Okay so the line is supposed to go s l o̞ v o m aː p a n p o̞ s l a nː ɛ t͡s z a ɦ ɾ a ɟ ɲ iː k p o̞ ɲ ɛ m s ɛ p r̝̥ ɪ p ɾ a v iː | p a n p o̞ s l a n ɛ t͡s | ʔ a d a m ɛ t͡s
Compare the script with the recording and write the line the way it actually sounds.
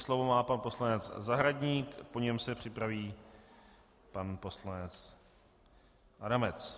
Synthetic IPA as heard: s l o̞ v o m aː p a n p o̞ s l a n ɛ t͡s z a ɦ ɾ a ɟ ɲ iː k p o̞ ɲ ɛ m s ɛ p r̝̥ ɪ p ɾ a v iː | p a n p o̞ s l a n ɛ t͡s | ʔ a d a m ɛ t͡s